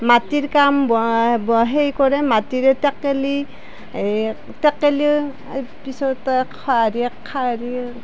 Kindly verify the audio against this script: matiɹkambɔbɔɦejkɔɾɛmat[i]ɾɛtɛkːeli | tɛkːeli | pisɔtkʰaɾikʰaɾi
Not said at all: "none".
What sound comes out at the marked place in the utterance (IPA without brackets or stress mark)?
i